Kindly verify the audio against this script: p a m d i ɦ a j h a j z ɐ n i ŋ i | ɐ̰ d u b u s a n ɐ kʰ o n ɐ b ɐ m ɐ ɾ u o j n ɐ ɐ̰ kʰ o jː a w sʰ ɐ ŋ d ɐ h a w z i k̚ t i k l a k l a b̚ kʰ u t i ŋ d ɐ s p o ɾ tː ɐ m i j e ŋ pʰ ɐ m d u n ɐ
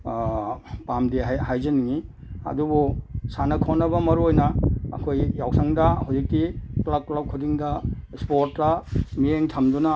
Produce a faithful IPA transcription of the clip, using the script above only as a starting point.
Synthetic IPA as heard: p a m d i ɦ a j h a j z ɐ n i ŋ i | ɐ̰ d u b u s a n ɐ kʰ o n ɐ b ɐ m ɐ ɾ u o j n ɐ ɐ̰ kʰ o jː a w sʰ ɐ ŋ d ɐ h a w z i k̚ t i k l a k l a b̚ kʰ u d i ŋ d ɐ s p o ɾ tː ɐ m i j e ŋ tʰ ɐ m d u n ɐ